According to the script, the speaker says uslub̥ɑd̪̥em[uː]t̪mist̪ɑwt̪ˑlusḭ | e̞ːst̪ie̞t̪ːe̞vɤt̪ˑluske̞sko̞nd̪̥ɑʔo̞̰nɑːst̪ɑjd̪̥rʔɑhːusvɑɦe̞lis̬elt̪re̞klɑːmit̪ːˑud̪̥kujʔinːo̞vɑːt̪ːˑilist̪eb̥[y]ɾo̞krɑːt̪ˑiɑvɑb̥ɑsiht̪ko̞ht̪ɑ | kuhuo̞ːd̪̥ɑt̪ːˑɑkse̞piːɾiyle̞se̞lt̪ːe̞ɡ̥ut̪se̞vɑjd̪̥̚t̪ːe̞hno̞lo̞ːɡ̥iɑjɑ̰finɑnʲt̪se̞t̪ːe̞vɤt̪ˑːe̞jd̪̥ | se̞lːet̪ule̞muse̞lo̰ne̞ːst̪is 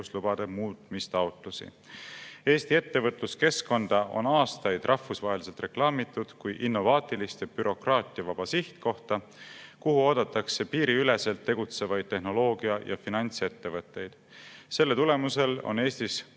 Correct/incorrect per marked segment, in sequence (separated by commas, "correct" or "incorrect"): correct, correct